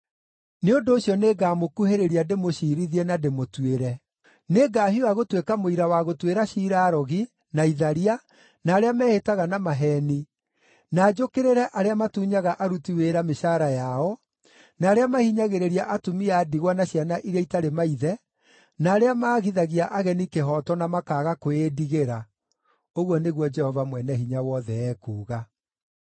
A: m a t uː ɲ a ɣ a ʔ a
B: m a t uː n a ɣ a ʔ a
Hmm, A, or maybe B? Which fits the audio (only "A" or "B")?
A